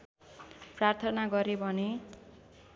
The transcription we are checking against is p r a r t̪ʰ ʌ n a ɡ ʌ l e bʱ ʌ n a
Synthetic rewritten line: p r a r t̪ʰ ʌ n a ɡ ʌ ɾ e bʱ ʌ n e